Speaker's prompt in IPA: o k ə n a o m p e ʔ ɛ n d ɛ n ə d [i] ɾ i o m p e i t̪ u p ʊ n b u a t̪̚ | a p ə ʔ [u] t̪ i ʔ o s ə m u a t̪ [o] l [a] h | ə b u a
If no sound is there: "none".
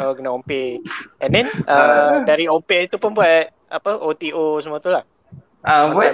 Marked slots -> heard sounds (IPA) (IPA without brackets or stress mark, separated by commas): a, o, u, a